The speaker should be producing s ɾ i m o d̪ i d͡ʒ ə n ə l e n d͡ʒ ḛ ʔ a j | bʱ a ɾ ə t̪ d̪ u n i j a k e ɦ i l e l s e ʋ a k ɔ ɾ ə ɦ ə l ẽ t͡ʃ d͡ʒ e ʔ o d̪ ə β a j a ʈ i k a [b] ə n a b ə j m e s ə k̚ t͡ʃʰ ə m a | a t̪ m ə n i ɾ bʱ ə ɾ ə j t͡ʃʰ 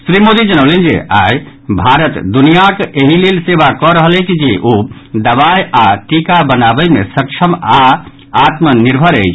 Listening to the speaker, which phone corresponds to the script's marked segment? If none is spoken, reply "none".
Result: b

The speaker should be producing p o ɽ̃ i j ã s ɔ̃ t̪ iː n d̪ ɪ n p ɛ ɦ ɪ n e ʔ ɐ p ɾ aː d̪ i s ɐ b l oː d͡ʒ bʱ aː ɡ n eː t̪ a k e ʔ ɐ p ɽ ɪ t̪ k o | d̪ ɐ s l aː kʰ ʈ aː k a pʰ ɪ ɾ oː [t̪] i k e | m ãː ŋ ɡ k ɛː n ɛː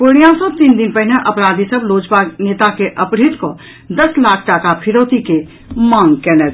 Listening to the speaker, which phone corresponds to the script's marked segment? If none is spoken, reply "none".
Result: t̪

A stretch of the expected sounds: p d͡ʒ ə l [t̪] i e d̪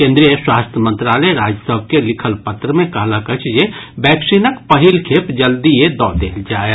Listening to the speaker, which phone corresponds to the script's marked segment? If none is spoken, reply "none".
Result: d̪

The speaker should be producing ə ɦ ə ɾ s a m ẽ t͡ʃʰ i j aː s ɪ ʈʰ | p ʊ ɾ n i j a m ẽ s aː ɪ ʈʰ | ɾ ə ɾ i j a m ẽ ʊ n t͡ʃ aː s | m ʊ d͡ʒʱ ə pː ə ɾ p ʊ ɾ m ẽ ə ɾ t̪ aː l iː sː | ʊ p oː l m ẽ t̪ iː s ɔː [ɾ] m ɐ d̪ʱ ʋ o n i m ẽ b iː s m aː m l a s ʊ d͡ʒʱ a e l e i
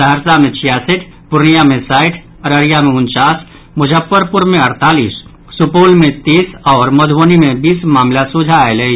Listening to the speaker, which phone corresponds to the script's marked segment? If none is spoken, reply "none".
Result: ɾ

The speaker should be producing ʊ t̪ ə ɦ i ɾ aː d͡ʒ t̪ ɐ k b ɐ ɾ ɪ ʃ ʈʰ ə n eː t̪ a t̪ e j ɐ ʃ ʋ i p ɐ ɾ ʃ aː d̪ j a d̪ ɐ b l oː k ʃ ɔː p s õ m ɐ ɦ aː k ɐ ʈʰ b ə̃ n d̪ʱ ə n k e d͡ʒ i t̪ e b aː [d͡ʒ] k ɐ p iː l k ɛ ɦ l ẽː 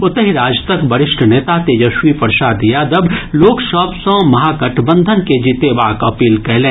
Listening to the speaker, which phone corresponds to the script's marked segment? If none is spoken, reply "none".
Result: none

